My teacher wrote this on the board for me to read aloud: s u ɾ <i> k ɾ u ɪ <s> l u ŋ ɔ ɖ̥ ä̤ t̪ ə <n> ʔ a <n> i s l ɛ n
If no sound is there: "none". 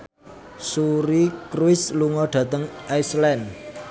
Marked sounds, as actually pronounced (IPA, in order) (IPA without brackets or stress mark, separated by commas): i, s, ŋ, none